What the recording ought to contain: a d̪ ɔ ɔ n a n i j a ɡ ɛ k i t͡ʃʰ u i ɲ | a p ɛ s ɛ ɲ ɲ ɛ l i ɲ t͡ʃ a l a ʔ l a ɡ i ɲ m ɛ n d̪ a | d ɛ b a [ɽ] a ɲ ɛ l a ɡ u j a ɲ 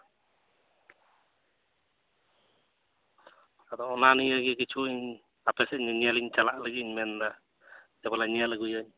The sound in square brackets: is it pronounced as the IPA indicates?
no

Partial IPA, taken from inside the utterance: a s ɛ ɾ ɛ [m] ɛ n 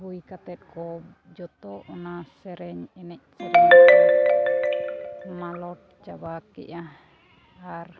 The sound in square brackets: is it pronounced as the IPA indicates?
no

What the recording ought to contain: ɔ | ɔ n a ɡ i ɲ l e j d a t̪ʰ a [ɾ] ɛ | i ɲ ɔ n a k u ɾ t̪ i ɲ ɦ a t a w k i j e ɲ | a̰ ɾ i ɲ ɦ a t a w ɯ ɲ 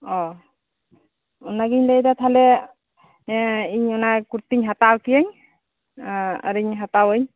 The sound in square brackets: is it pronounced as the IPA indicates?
no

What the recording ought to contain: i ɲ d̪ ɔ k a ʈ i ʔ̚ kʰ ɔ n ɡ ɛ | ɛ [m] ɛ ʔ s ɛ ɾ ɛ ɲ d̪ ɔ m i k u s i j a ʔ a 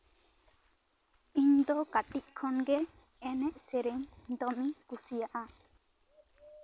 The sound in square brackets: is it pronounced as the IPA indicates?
no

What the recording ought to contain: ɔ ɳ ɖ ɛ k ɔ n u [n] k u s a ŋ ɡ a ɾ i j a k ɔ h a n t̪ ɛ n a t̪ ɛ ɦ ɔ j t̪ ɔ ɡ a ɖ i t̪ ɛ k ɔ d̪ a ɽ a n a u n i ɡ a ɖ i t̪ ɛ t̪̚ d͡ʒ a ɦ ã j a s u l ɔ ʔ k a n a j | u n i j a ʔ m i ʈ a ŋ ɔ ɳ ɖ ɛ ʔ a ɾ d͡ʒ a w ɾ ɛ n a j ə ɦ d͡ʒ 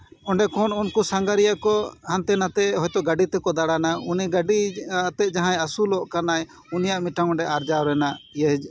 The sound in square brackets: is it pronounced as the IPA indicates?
yes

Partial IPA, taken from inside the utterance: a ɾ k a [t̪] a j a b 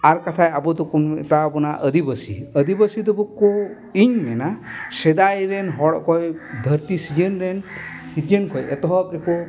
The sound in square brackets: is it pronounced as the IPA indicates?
no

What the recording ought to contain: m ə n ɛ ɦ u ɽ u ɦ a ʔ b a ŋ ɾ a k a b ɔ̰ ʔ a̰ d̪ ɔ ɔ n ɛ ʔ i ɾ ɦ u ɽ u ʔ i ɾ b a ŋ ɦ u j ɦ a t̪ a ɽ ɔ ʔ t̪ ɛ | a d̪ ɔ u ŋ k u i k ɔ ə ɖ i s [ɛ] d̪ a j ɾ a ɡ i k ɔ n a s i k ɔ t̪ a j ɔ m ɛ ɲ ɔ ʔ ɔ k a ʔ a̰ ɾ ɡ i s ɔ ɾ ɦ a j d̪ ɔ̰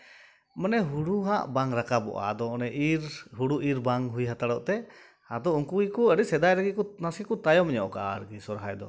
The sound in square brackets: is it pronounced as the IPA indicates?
yes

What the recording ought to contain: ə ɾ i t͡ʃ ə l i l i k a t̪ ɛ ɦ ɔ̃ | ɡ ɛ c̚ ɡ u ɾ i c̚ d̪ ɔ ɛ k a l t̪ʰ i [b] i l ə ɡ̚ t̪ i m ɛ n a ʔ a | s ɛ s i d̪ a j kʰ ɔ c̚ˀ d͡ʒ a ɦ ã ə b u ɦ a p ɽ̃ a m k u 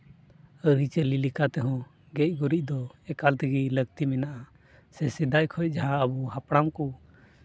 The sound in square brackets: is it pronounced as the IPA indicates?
no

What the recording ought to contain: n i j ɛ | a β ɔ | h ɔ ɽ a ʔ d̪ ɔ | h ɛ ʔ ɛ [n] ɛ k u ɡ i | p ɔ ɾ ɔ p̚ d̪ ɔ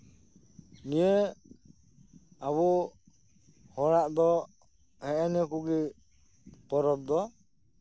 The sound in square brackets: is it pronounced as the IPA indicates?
yes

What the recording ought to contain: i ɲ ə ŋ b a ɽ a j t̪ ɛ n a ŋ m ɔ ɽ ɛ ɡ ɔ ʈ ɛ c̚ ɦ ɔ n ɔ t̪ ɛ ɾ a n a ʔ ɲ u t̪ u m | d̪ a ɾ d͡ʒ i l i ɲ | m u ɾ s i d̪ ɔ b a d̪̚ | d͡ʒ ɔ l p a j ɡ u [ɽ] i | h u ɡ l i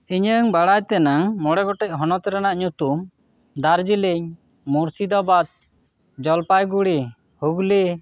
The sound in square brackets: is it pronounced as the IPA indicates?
yes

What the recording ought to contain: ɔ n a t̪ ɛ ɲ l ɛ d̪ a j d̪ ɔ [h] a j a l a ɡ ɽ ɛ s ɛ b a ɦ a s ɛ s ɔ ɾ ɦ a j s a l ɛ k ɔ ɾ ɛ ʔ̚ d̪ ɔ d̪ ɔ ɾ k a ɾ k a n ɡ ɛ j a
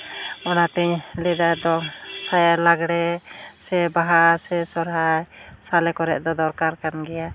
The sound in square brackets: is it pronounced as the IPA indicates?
no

